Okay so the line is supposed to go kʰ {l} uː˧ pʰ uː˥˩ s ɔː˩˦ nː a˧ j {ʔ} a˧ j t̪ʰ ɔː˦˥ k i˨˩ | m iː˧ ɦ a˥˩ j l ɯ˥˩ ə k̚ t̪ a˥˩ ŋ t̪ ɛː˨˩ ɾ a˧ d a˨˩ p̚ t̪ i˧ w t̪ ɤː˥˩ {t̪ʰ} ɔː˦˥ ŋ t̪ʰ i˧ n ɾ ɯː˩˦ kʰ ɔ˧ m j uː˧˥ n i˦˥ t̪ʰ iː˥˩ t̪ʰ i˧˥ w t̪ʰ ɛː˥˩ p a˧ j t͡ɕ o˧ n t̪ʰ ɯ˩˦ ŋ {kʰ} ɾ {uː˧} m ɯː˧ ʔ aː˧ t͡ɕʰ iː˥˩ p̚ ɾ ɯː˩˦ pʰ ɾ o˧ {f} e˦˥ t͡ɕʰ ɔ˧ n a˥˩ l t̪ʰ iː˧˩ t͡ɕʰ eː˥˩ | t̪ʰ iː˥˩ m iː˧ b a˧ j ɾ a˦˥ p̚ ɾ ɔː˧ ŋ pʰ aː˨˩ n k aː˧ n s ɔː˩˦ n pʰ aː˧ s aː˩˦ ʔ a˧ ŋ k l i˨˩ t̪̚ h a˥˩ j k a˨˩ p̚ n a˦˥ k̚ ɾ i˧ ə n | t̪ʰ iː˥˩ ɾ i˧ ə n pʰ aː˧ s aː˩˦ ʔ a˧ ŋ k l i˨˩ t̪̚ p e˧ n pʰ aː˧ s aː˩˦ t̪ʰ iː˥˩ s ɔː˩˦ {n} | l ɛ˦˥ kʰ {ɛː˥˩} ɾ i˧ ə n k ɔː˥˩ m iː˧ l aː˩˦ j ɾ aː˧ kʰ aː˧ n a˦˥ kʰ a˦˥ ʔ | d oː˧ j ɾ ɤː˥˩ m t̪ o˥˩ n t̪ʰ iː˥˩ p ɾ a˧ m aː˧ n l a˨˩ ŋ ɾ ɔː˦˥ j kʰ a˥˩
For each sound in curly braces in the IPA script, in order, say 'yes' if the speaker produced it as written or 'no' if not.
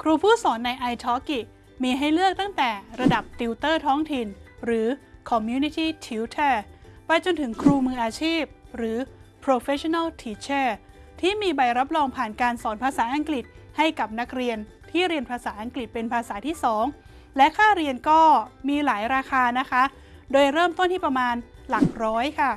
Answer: no, yes, yes, yes, yes, yes, no, no

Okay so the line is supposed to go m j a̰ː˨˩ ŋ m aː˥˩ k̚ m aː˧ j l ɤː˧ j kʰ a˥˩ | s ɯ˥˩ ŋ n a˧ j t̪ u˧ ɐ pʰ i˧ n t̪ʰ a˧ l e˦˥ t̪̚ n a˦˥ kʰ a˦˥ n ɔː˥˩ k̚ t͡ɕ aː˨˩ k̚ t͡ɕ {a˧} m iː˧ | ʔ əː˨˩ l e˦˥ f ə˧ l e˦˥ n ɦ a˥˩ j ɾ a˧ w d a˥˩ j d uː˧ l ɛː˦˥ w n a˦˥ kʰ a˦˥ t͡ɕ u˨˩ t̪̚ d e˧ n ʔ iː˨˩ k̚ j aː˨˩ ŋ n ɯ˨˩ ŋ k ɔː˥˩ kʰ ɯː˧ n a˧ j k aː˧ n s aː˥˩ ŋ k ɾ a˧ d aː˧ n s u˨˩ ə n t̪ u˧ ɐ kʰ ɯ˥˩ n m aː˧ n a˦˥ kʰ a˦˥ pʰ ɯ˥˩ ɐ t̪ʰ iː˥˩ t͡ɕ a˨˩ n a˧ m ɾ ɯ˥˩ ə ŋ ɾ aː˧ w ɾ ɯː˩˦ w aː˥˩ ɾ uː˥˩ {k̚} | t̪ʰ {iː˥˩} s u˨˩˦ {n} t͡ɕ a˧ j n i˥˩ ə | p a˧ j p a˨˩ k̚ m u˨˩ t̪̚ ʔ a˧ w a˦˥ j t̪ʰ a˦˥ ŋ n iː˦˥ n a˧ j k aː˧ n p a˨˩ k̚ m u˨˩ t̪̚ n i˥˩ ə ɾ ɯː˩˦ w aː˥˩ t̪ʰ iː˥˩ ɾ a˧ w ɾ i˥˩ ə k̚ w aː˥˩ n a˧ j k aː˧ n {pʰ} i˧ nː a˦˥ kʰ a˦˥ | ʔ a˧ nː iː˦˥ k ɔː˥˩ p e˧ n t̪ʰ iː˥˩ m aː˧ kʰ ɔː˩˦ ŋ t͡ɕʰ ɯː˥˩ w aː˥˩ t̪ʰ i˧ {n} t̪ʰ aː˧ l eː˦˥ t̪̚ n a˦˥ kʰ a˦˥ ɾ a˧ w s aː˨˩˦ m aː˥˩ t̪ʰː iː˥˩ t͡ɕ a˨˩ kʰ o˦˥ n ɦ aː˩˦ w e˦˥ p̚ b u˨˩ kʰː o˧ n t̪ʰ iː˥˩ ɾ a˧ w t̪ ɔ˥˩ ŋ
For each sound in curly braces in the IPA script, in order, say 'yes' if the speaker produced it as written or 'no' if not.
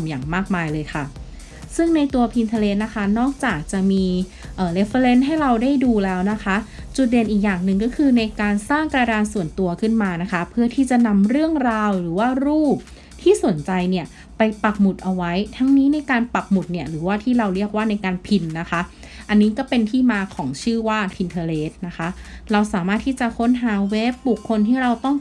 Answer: no, no, yes, yes, yes, yes

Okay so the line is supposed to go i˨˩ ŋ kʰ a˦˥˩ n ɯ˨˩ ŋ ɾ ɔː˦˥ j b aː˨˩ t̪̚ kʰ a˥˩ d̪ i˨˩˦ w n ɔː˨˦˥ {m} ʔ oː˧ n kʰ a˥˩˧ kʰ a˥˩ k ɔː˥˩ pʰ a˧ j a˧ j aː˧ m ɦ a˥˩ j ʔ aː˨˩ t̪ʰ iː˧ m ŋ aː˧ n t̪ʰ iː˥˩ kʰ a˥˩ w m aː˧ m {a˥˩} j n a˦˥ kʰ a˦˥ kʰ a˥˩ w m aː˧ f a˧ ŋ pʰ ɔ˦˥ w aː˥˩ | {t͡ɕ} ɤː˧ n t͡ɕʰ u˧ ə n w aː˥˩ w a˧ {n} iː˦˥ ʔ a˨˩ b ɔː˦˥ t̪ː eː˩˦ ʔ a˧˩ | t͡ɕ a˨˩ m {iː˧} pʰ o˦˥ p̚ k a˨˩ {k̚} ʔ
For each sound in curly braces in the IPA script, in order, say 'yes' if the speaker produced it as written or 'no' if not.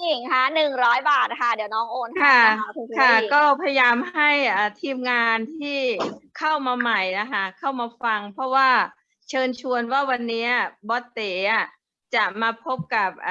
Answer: no, no, no, no, no, no

